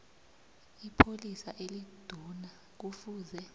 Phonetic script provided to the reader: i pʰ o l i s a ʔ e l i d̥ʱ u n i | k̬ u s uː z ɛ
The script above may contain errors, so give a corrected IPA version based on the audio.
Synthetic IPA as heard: i pʰ o l i s a ʔ e l i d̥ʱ u n a | k̬ u f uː z ɛ

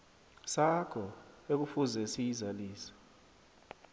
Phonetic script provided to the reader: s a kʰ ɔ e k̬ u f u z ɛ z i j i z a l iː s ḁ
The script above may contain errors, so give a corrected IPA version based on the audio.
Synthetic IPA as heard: s a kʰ ɔ e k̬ u f u z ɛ s i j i z a l iː s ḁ

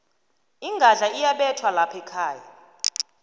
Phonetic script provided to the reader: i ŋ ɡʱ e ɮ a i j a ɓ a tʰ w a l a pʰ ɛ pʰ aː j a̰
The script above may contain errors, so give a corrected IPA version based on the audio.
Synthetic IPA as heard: i ŋ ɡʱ a ɮ a i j a ɓ ɛ tʰ w a l a pʰ ɛ kʰ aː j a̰

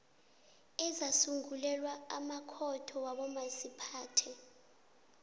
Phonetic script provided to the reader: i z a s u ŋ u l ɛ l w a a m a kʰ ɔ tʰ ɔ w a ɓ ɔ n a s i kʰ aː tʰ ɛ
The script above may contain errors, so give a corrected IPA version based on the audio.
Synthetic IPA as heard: ɛ z a s u ŋ u l ɛ l w a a m a kʰ ɔ tʰ ɔ w a ɓ ɔ m a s i pʰ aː tʰ ɛ

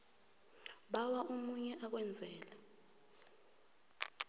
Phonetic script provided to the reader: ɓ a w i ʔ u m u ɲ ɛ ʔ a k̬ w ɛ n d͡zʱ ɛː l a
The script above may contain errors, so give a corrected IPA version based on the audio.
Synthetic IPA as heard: ɓ a w a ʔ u m u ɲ ɛ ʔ a k̬ w ɛ n d͡zʱ ɛː l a

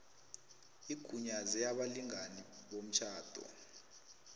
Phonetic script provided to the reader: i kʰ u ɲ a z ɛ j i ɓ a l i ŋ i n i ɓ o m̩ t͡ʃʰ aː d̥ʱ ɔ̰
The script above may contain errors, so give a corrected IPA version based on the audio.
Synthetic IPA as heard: i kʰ u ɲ a z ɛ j a ɓ a l i ŋ a n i ɓ o m̩ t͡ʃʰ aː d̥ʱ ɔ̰

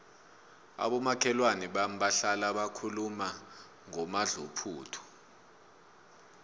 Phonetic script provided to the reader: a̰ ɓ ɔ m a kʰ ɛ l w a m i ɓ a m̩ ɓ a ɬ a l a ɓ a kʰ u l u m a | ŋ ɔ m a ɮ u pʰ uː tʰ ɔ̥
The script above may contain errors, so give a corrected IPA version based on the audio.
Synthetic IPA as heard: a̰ ɓ ɔ m a kʰ ɛ l w a n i ɓ a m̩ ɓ a ɬ a l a ɓ a kʰ u l u m a | ŋ ɔ m a ɮ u pʰ uː tʰ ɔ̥

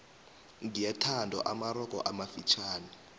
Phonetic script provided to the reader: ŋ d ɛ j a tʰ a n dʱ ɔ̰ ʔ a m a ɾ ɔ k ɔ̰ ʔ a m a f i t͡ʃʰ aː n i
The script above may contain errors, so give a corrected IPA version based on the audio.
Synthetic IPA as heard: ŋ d i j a tʰ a n dʱ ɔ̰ ʔ a m a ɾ ɔ k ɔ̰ ʔ a m a f i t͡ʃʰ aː n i

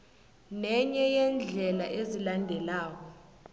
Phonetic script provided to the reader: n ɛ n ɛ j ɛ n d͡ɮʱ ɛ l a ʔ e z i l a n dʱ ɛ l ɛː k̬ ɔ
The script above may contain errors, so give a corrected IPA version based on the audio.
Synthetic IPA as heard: n ɛ ɲ ɛ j ɛ n d͡ɮʱ ɛ l a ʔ e z i l a n dʱ ɛ l aː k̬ ɔ

